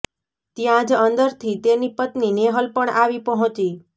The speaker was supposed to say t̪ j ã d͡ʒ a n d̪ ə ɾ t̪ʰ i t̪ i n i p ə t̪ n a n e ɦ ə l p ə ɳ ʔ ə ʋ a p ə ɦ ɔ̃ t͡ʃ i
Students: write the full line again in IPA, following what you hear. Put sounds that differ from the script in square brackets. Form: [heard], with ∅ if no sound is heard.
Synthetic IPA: t̪ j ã d͡ʒ [ə] n d̪ ə ɾ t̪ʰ i t̪ [e] n i p ə t̪ n [i] n e ɦ ə l p ə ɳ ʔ [a] ʋ [i] p ə ɦ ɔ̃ t͡ʃ i

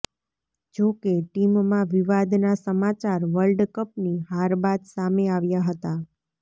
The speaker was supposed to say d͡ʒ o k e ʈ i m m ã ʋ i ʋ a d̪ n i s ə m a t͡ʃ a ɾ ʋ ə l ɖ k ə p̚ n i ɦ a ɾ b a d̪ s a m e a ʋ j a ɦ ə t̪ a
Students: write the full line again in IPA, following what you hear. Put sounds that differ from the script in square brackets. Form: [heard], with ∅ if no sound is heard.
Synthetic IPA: d͡ʒ o k e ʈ i m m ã ʋ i ʋ a d̪ n [a] s ə m a t͡ʃ a ɾ ʋ ə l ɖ k ə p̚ n i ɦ a ɾ b a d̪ s a m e a ʋ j a ɦ ə t̪ a

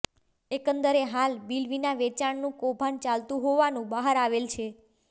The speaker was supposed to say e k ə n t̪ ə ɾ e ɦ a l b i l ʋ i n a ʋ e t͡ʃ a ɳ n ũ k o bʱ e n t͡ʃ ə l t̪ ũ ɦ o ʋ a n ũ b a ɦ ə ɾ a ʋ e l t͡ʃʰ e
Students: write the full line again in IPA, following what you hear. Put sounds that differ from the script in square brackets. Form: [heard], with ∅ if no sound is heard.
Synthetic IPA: e k ə n [d̪] ə ɾ e ɦ a l b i l ʋ i n a ʋ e t͡ʃ a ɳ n ũ k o bʱ [a] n t͡ʃ [a] l t̪ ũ ɦ o ʋ a n ũ b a ɦ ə ɾ a ʋ e l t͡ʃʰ e

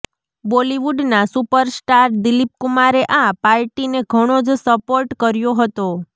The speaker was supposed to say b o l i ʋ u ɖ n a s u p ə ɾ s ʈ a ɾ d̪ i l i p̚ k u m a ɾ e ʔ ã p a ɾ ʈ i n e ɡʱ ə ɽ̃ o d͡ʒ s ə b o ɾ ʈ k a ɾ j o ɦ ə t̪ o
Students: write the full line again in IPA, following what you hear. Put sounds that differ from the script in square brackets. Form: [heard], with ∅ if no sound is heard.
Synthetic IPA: b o l i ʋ u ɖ n a s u p ə ɾ s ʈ a ɾ d̪ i l i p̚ k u m a ɾ e ʔ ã p a ɾ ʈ i n e ɡʱ ə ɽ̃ o d͡ʒ s ə [p] o ɾ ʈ k [ə] ɾ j o ɦ ə t̪ o

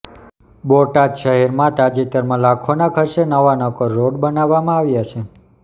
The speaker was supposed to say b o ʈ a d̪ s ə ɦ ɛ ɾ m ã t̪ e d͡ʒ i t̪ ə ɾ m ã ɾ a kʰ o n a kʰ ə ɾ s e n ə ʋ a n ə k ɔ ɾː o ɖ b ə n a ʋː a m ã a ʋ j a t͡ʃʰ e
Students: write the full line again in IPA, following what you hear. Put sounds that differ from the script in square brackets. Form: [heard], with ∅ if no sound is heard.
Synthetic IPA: b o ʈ a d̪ [ʃ] ə ɦ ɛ ɾ m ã t̪ [a] d͡ʒ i t̪ ə ɾ m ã [l] a kʰ o n a kʰ ə ɾ [ʃ] e n ə ʋ a n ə k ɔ ɾː o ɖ b ə n a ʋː a m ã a ʋ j a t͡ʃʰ e

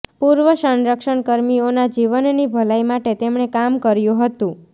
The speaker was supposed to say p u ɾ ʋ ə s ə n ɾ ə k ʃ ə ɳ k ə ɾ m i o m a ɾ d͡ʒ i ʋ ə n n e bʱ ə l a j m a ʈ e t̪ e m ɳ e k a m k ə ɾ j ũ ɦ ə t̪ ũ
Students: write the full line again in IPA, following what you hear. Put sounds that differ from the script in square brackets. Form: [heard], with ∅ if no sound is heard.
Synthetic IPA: p u ɾ ʋ ə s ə n ɾ ə k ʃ ə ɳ k ə ɾ m i o [n] a [∅] d͡ʒ i ʋ ə n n [i] bʱ ə l a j m a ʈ e t̪ e m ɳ e k a m k ə ɾ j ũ ɦ ə t̪ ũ

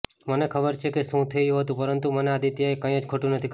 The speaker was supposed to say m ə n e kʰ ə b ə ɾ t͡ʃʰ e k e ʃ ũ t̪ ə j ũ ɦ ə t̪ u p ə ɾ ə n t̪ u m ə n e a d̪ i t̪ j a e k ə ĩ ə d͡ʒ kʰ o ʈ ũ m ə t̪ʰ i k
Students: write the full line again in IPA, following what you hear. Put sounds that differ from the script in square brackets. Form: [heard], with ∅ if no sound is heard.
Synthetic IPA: m ə n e kʰ ə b ə ɾ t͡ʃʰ e k e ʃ ũ [t̪ʰ] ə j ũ ɦ ə t̪ [ũ] p ə ɾ ə n t̪ u m ə n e a d̪ i t̪ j a e k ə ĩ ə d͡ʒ kʰ o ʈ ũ [n] ə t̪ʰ i k

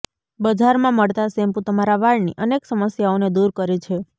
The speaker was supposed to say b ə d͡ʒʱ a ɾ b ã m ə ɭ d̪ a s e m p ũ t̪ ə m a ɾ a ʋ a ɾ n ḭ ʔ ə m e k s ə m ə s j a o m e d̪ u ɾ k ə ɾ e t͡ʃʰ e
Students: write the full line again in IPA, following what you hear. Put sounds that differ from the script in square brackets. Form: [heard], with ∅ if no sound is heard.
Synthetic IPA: b ə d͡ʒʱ a ɾ [m] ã m ə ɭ [t̪] a s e m p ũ t̪ ə m a ɾ a ʋ a [ɭ] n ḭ ʔ ə [n] e k s ə m ə s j a o [n] e d̪ u ɾ k ə ɾ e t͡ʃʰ e

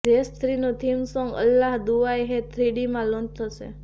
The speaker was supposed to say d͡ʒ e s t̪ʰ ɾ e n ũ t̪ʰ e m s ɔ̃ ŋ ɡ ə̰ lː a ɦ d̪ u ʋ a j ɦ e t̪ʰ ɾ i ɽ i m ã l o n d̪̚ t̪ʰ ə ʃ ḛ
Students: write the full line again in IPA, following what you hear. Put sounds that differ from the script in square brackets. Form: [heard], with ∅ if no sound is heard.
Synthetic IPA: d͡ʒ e s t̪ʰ ɾ [i] n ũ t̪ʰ [i] m s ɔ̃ ŋ ɡ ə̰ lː a ɦ d̪ u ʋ a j ɦ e t̪ʰ ɾ i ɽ i m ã l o n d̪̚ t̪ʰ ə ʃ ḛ

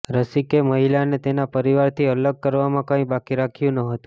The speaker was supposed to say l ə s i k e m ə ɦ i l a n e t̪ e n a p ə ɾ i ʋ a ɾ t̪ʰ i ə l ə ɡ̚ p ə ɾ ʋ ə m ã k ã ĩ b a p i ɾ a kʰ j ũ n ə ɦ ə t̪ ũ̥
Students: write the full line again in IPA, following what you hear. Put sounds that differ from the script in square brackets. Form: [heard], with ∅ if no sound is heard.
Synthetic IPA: [ɾ] ə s i k e m ə ɦ i l a n e t̪ e n a p ə ɾ i ʋ a ɾ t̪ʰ i ə l ə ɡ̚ [k] ə ɾ ʋ [a] m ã k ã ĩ b a [k] i ɾ a kʰ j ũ n ə ɦ ə t̪ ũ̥

